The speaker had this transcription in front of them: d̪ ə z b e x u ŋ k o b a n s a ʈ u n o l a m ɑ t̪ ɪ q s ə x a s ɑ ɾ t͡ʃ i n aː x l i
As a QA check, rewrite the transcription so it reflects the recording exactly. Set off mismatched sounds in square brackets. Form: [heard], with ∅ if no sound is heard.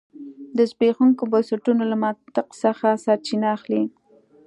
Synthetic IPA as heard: d̪ ə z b e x u ŋ k o b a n s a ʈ u n o l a m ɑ t̪ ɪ q s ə x a s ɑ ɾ t͡ʃ i n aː x l i